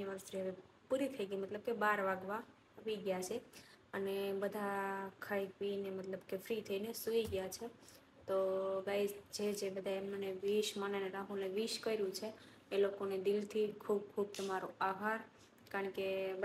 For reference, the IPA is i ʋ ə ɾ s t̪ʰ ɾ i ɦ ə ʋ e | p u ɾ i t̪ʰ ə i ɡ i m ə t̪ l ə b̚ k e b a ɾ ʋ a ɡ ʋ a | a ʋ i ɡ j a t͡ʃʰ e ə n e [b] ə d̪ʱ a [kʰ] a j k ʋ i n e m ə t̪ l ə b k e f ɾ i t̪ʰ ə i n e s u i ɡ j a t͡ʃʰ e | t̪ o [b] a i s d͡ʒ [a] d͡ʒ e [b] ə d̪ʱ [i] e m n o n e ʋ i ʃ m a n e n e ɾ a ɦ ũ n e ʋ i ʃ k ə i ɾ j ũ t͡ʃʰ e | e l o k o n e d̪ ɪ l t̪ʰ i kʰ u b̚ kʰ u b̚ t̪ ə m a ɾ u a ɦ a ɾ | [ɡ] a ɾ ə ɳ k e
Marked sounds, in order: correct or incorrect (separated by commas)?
correct, correct, incorrect, incorrect, correct, incorrect, incorrect